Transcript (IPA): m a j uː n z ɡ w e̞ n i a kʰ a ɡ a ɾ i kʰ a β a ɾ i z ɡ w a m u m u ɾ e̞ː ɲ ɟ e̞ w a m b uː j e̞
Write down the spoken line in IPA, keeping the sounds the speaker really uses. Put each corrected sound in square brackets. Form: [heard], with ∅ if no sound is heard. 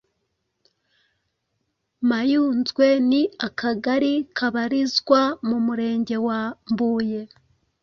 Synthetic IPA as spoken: m a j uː n z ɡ w e̞ n i a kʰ a ɡ a ɾ i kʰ a β a ɾ i z ɡ w a m u m u ɾ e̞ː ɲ ɟ e̞ w a m b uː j e̞